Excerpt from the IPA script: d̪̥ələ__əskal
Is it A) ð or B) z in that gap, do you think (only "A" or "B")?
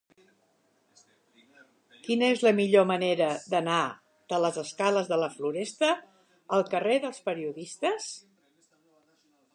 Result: B